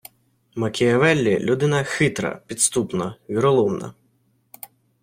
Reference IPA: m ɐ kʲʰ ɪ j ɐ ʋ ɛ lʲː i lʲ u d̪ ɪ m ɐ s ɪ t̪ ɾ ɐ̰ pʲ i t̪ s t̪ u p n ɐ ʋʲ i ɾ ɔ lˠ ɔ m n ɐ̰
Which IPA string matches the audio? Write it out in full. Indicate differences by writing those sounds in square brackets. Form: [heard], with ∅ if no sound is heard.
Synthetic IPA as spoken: m ɐ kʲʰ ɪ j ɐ ʋ ɛ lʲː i lʲ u d̪ ɪ [n] ɐ [x] ɪ t̪ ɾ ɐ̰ pʲ i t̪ s t̪ u p n ɐ ʋʲ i ɾ ɔ lˠ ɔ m n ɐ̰